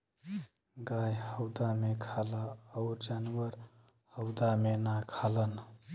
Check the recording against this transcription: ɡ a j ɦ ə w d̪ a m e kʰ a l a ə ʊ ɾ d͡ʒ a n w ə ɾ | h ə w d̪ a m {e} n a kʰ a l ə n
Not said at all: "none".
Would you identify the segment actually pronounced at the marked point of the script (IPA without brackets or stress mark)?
e